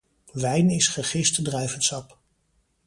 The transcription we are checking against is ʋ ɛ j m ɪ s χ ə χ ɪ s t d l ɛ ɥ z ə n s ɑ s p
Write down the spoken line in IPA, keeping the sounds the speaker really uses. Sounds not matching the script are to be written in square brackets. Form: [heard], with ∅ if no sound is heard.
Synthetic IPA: ʋ ɛ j [n] ɪ s χ ə χ ɪ s t d [r] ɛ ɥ [v] ə n s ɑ [∅] p